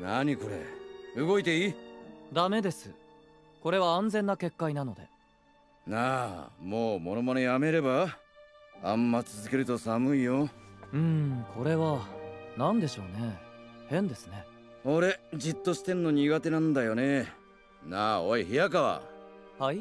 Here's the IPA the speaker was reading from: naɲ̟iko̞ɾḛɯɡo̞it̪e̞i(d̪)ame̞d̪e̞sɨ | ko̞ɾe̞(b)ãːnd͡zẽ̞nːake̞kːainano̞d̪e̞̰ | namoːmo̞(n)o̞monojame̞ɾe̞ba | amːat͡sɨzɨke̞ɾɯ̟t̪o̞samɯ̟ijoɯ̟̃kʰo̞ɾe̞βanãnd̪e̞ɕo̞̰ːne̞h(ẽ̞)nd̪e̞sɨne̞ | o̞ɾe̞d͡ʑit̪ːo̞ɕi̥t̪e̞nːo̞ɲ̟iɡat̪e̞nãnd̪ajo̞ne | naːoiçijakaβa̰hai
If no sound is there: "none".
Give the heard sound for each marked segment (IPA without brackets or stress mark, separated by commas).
d̪, β, n, ẽ̞